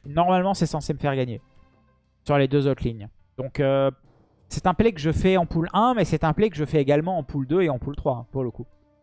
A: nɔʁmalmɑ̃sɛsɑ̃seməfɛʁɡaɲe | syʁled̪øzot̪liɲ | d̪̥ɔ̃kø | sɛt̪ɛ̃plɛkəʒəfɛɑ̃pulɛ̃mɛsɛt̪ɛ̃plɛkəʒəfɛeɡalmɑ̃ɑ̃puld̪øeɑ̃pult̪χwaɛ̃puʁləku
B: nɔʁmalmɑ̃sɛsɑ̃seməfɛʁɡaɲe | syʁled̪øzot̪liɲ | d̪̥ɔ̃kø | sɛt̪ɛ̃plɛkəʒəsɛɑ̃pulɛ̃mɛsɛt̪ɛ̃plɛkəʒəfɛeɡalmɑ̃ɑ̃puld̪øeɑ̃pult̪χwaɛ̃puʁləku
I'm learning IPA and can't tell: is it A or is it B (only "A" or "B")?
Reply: A